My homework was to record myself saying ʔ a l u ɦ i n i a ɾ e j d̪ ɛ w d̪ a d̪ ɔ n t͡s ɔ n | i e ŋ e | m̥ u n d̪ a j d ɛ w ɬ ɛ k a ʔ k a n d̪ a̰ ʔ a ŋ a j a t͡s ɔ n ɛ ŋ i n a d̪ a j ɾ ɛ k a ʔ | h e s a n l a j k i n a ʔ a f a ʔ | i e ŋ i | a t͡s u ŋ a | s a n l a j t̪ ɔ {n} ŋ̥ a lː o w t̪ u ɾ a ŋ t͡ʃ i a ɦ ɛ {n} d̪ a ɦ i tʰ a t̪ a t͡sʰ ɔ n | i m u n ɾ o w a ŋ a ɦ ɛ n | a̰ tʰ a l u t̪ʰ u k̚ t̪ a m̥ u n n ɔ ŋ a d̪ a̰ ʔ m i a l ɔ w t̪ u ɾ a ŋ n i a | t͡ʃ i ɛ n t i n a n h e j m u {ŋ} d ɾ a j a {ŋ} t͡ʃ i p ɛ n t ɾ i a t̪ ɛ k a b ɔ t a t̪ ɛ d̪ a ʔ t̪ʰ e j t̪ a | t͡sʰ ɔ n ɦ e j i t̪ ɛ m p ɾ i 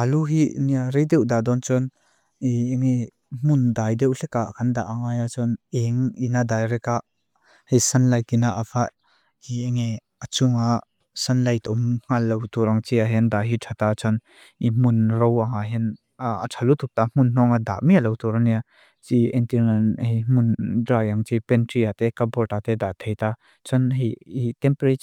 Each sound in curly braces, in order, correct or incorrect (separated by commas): incorrect, correct, incorrect, correct